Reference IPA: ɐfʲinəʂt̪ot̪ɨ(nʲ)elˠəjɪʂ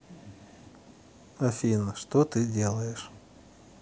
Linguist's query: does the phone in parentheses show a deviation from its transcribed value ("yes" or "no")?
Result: yes